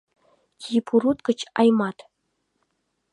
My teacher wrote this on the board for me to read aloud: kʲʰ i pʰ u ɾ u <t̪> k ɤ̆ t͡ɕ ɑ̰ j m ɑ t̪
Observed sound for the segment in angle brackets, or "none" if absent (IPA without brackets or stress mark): t̪